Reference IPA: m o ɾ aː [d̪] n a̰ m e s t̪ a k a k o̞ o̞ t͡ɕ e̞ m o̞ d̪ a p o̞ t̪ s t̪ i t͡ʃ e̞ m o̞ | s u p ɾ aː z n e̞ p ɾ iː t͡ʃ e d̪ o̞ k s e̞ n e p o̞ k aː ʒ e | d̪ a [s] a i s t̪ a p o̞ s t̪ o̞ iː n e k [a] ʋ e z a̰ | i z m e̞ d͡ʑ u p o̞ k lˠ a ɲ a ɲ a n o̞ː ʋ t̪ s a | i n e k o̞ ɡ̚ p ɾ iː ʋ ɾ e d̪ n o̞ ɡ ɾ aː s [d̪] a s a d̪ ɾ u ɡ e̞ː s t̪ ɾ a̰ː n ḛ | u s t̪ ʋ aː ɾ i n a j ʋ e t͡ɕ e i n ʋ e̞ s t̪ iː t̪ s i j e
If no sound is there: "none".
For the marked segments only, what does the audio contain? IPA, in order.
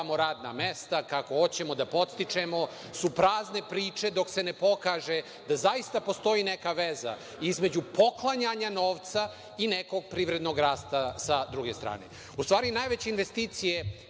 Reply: d̪, z, a, t̪

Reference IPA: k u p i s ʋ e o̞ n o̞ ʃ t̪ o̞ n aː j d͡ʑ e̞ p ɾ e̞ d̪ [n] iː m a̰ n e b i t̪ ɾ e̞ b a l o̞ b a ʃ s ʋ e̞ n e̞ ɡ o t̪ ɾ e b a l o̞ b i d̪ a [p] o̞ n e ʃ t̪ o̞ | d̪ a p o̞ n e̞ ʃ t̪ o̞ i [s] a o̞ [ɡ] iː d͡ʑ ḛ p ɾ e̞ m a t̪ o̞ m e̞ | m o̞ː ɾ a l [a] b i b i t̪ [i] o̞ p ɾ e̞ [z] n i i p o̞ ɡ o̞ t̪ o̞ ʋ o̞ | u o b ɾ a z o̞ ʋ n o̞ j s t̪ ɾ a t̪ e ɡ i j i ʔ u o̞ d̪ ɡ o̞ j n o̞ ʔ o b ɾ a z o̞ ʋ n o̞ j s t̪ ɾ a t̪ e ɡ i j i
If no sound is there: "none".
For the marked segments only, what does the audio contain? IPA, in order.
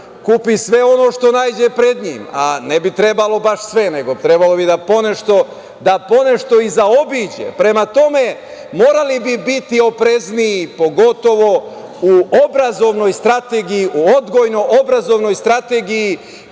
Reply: ɲ, p, z, b, i, i, z

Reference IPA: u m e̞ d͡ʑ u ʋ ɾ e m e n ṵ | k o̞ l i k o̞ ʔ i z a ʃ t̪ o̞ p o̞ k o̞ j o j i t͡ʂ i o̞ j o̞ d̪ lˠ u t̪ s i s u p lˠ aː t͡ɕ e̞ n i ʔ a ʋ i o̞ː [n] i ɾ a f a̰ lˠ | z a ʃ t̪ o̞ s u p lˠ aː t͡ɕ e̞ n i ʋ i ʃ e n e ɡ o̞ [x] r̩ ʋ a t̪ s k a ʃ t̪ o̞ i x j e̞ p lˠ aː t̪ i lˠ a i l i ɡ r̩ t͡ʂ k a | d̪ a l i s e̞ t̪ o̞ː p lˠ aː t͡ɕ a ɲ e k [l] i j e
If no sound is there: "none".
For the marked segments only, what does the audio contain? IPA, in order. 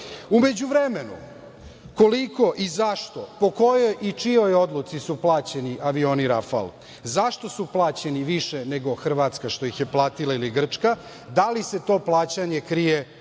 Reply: n, x, ɾ

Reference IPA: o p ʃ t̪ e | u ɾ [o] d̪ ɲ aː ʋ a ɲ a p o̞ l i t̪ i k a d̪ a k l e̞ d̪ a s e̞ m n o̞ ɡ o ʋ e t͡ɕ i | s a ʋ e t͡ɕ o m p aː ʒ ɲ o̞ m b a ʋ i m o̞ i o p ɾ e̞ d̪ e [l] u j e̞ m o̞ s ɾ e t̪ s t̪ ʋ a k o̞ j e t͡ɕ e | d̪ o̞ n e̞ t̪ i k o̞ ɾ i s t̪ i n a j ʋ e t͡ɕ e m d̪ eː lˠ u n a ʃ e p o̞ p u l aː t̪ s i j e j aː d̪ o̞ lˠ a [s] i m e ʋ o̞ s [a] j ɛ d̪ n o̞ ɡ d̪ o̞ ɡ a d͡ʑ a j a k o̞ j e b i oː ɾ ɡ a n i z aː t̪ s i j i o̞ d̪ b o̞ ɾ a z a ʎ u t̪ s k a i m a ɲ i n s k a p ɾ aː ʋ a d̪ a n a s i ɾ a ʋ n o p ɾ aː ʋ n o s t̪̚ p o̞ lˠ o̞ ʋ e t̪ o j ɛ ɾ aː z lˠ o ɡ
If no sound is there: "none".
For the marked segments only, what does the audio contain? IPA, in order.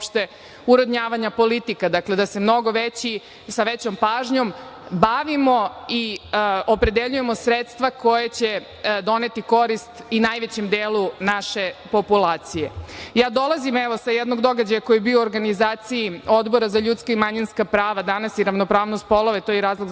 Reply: o, ʎ, z, a

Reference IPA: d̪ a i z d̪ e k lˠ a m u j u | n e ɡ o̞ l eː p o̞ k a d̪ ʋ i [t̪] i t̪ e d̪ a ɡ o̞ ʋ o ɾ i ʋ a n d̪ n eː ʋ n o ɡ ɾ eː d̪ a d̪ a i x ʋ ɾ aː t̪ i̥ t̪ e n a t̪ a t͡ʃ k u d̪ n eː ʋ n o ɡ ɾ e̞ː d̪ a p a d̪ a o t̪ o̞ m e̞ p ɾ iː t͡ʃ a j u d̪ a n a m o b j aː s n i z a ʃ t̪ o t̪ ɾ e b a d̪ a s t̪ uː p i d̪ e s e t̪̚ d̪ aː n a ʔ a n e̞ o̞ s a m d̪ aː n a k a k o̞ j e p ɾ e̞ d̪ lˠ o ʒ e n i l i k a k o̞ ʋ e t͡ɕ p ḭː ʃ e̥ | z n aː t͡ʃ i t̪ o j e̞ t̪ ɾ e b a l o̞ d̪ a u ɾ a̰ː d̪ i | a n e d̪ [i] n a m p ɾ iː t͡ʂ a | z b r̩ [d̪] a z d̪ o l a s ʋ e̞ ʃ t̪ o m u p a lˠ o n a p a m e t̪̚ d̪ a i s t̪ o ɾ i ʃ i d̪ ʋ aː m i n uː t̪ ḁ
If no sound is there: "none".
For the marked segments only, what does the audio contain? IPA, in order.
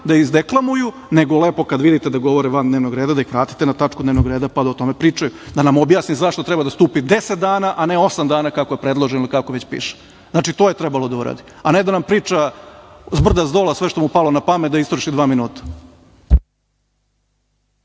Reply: d̪, a, d̪

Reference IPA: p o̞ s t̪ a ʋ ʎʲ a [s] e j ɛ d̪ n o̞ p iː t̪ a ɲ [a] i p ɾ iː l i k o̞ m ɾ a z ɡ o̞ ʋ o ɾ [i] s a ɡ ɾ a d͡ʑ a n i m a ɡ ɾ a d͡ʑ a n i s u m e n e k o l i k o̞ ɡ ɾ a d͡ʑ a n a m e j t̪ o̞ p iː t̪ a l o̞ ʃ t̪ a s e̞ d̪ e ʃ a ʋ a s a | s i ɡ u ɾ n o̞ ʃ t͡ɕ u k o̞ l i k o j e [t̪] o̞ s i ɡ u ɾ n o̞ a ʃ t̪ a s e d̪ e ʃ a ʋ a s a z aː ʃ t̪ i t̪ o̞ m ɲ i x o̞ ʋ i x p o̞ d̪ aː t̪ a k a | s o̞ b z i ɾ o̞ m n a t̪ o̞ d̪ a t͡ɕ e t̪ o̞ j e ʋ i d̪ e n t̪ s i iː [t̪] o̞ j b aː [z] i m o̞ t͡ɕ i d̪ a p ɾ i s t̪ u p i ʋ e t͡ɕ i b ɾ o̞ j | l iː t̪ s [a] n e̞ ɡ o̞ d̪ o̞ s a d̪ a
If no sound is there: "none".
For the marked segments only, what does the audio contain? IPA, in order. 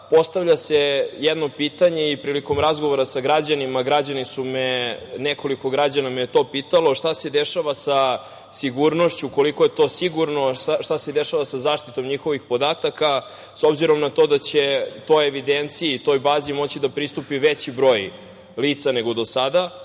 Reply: s, e, a, t̪, t̪, z, a

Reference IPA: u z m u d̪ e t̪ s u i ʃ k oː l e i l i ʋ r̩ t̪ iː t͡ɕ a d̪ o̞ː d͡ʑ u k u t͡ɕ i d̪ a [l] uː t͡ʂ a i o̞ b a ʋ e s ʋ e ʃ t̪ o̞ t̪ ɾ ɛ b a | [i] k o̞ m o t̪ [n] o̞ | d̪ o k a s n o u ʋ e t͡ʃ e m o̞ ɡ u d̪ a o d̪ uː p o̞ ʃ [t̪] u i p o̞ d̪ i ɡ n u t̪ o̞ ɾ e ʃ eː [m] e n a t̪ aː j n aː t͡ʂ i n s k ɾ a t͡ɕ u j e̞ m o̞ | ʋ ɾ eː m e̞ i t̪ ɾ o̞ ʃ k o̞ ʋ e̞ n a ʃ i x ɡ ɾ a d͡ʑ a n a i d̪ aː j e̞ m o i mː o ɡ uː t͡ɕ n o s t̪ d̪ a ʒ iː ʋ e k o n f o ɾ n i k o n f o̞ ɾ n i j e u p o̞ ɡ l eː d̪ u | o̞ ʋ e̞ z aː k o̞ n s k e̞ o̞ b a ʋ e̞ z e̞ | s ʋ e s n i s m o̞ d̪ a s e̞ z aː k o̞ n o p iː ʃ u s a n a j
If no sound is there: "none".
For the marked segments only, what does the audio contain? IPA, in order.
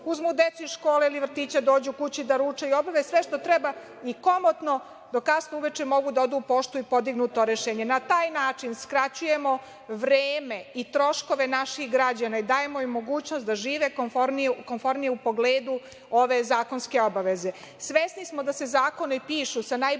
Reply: ɾ, i, n, t̪, ɲ

